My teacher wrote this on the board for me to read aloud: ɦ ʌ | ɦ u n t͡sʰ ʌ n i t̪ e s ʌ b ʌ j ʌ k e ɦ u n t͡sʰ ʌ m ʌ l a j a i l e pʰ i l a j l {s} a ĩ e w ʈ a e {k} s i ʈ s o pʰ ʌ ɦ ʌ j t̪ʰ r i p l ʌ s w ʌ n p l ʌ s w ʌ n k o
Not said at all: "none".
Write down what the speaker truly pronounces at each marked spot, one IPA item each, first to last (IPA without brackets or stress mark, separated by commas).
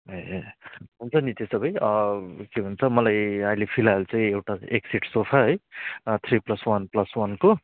t͡s, k